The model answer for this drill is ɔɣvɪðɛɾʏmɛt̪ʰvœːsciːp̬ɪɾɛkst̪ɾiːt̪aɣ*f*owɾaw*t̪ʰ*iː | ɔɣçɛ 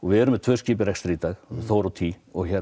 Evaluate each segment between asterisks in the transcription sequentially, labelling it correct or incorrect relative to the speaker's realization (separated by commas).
incorrect, correct